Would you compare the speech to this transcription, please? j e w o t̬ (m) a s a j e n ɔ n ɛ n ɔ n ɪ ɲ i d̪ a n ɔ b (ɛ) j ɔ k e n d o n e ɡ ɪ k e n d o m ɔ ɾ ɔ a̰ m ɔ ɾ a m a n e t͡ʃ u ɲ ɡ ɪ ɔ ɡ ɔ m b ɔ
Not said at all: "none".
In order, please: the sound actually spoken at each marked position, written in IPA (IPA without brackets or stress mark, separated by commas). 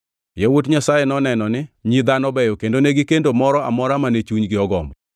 ɲ, ɛ